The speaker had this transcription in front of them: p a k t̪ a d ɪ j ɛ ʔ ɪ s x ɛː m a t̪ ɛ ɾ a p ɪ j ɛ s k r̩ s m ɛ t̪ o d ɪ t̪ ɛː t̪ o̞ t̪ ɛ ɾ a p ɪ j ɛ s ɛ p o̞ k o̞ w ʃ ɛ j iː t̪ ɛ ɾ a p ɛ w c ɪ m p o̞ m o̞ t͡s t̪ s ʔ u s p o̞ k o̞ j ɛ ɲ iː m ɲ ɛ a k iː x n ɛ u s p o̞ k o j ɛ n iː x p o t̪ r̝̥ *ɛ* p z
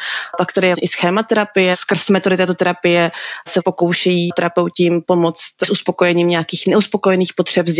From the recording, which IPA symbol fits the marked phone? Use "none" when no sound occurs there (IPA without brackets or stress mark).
ɛ